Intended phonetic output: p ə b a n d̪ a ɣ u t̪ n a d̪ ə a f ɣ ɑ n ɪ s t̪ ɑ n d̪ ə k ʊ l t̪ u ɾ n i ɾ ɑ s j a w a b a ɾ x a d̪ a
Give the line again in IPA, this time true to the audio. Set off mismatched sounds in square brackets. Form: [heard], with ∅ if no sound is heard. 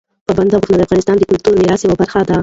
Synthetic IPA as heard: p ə b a n d̪ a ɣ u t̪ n a d̪ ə a f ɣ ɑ n ɪ s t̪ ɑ n d̪ ə k ʊ l t̪ u ɾ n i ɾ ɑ s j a w a b a ɾ x a d̪ a

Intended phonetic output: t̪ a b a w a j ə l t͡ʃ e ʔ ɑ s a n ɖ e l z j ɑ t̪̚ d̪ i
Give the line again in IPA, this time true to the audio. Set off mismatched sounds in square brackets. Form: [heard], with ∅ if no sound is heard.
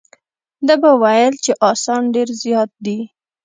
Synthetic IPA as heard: [d̪] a b a w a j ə l t͡ʃ e ʔ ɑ s [ɑ] n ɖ e [ɾ] z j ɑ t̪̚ d̪ i

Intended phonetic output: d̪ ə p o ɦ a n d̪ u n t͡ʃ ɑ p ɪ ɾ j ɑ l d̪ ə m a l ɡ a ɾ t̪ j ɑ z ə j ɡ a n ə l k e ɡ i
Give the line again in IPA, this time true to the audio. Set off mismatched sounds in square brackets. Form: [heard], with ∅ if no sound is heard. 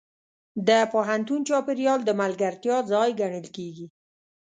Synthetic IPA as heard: d̪ ə p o ɦ a n [t̪] u n t͡ʃ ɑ p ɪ ɾ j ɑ l d̪ ə m a l ɡ a ɾ t̪ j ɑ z [ɑ] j ɡ a [ɳ] ə l k e ɡ i

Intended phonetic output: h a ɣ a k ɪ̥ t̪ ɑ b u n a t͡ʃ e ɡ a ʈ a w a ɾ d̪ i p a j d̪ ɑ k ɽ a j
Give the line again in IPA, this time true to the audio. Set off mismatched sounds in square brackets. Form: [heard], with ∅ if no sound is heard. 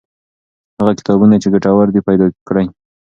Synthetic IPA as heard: h a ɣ a k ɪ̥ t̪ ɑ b u n a t͡ʃ e ɡ a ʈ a w a ɾ d̪ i p a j d̪ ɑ k ɽ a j

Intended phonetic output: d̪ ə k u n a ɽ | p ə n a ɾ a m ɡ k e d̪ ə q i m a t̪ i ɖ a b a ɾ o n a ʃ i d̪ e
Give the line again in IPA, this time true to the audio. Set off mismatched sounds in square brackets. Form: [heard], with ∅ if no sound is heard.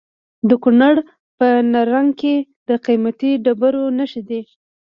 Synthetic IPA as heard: d̪ ə k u n a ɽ | p ə n a ɾ a [ŋ] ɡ k e d̪ ə q i m a t̪ i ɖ a b a ɾ o n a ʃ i d̪ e

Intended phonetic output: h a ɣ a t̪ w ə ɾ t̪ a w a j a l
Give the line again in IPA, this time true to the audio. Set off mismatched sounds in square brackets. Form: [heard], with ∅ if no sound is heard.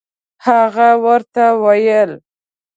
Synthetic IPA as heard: h a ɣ a [∅] w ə ɾ t̪ a w a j [ə] l

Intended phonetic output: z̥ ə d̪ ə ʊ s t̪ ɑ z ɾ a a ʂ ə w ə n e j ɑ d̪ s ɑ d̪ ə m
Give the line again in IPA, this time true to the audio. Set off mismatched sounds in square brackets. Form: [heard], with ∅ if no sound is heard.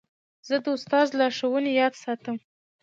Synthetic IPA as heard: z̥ ə d̪ ə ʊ s t̪ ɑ z [l] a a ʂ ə w ə n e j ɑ d̪ s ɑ [t̪] ə m

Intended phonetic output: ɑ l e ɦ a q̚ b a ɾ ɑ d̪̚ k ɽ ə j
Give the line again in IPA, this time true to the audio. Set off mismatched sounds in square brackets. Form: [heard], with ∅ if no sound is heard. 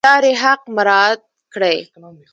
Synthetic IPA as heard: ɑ [ɾ] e ɦ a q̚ [m] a ɾ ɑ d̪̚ k ɽ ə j

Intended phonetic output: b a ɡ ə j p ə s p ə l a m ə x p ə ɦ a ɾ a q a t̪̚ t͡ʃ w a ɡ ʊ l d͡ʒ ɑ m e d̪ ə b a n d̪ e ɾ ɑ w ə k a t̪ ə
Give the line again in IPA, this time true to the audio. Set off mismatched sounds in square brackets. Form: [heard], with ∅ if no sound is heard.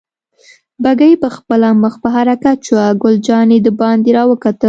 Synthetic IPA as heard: b a ɡ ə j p ə [x] p ə l a m ə x p ə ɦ a ɾ a [k] a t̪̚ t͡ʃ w a ɡ ʊ l d͡ʒ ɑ [n] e d̪ ə b [ɑ] n d̪ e ɾ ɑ w ə k a t̪ ə

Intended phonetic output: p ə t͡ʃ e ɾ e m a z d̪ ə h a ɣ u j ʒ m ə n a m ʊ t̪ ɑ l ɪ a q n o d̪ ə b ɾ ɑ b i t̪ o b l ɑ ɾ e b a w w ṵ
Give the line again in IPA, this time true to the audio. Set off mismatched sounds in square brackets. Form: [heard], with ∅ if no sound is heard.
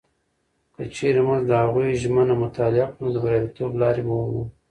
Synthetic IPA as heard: [k] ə t͡ʃ e ɾ e m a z d̪ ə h a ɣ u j ʒ m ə n a m ʊ t̪ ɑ l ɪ a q n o d̪ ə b ɾ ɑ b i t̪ o b l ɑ ɾ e b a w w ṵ

